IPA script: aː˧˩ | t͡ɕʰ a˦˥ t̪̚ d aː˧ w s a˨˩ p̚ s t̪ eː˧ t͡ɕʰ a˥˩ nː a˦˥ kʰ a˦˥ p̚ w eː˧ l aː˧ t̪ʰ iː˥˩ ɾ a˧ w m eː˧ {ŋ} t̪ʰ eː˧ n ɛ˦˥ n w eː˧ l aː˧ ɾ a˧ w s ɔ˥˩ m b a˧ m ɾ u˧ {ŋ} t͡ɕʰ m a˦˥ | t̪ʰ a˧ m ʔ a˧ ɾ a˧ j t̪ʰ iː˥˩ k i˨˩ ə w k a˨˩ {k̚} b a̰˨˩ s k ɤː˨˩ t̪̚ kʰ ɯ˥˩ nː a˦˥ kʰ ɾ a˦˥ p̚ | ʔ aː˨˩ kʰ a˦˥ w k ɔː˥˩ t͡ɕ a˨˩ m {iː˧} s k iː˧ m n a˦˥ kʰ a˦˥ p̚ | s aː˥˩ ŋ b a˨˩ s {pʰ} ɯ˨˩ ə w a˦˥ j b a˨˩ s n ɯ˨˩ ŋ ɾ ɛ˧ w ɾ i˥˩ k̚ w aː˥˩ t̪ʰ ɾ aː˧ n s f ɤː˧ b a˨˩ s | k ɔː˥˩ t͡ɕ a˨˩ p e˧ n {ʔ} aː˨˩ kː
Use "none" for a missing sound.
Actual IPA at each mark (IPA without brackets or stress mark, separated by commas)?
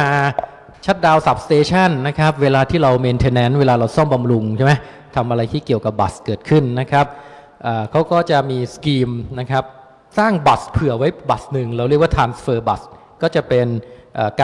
n, ŋ, p̚, iː˧, pʰ, ʔ